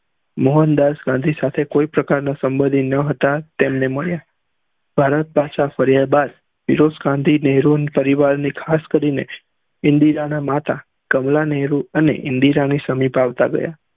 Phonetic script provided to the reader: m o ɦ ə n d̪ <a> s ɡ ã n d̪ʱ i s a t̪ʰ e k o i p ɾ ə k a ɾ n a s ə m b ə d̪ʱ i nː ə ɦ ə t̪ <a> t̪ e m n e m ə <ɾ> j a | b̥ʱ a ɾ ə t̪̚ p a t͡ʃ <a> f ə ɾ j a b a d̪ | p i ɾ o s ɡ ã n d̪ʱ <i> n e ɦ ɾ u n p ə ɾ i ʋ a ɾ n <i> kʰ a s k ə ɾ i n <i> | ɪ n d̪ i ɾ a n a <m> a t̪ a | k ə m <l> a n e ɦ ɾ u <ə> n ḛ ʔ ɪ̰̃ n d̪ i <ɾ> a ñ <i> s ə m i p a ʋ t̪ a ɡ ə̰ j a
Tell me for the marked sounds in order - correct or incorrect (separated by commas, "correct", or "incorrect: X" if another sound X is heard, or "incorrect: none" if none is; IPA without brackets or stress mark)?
correct, correct, incorrect: ɭ, correct, correct, correct, incorrect: e, correct, correct, correct, correct, correct